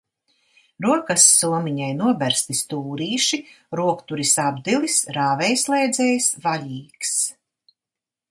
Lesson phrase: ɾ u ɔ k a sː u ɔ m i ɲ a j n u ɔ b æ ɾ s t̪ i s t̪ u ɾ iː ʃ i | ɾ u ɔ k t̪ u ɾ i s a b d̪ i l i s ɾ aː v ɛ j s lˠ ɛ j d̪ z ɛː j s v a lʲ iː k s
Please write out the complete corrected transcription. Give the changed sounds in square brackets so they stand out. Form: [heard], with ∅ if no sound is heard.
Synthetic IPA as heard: ɾ u ɔ k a sː u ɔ m i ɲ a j n u ɔ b æ ɾ s t̪ i s t̪ [uː] ɾ iː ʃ i | ɾ u ɔ k t̪ u ɾ i s a b d̪ i l i s ɾ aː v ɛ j s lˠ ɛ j d̪ z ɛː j s v a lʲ iː k s